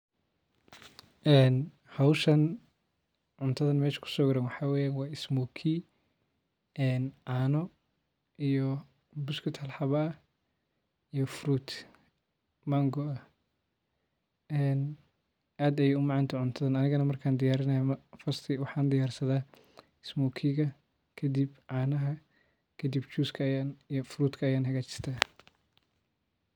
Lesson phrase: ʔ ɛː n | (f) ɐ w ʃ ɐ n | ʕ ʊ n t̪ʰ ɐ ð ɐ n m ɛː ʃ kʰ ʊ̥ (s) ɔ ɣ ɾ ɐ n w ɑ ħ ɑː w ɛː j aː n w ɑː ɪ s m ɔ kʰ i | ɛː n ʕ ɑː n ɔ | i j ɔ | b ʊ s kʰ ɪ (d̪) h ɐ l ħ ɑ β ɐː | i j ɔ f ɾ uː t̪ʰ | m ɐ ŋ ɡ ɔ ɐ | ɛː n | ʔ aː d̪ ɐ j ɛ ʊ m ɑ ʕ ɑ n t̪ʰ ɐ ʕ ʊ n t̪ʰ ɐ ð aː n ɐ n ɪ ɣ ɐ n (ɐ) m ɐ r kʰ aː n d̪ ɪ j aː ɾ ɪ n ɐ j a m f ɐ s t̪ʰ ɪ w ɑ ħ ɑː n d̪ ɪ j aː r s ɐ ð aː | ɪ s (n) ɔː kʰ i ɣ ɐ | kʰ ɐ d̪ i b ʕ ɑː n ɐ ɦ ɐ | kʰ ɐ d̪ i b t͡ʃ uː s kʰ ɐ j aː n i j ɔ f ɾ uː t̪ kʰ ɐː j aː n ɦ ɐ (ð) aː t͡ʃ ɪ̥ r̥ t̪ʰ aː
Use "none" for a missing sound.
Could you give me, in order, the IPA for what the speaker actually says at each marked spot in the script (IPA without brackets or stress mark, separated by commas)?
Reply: h, s, t̪, ɐ, m, ɣ